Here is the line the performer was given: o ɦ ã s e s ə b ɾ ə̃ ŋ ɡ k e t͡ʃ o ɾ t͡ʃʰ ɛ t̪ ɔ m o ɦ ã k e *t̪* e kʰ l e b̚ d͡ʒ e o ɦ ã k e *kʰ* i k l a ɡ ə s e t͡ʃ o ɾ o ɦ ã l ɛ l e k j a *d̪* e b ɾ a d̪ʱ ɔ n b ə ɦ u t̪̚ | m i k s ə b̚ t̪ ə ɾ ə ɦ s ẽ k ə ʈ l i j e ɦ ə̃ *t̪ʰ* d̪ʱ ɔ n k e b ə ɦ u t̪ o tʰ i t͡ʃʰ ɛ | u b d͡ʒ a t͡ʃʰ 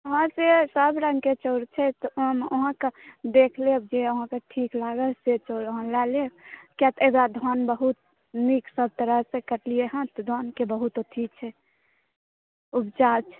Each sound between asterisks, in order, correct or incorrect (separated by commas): incorrect, incorrect, incorrect, incorrect